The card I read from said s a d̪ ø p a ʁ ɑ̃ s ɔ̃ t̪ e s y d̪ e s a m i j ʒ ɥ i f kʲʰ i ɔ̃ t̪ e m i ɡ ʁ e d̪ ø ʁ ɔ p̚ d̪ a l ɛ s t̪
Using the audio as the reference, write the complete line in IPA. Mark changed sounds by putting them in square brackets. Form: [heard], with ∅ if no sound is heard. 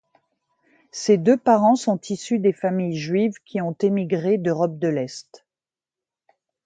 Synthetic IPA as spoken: s [e] d̪ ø p a ʁ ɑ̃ s ɔ̃ t̪ [i] s y d̪ e [f] a m i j ʒ ɥ i [v] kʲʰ i ɔ̃ t̪ e m i ɡ ʁ e d̪ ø ʁ ɔ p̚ d̪ [ə] l ɛ s t̪